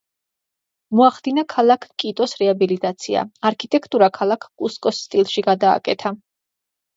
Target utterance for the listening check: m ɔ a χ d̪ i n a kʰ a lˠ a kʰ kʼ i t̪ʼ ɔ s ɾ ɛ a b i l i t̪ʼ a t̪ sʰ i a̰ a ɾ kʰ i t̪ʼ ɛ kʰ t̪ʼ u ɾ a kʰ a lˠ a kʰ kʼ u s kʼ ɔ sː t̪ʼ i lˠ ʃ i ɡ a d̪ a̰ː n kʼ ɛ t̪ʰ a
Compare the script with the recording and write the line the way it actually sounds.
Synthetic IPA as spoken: m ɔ a χ d̪ i n a kʰ a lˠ a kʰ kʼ i t̪ʼ ɔ s ɾ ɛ a b i l i t̪ʼ a t̪ sʰ i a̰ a ɾ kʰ i t̪ʼ ɛ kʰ t̪ʼ u ɾ a kʰ a lˠ a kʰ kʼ u s kʼ ɔ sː t̪ʼ i lˠ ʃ i ɡ a d̪ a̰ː kʼ ɛ t̪ʰ a